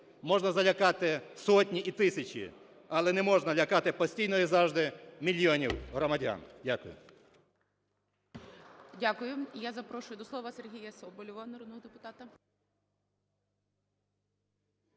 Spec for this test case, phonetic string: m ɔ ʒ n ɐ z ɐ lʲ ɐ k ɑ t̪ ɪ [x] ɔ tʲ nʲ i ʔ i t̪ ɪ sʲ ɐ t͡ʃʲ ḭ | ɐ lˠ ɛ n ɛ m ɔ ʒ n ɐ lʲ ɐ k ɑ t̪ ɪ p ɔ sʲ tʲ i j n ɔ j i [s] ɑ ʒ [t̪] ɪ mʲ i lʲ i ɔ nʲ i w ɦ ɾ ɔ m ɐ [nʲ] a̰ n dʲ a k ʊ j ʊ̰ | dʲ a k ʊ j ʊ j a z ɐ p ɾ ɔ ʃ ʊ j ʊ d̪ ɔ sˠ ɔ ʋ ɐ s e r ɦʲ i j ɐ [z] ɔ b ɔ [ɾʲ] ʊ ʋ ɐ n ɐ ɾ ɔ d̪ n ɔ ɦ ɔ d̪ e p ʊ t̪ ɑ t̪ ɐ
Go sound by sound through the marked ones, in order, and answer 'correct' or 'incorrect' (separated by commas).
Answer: incorrect, incorrect, incorrect, incorrect, incorrect, incorrect